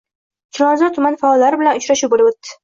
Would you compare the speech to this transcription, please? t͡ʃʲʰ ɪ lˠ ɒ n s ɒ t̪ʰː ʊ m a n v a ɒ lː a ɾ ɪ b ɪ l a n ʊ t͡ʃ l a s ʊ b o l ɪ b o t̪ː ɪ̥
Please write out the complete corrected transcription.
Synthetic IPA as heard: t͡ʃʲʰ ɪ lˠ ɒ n z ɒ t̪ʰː ʊ m a n f a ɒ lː a ɾ ɪ b ɪ l a n ʊ t͡ʃ ɾ a ʃ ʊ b o l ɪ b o t̪ː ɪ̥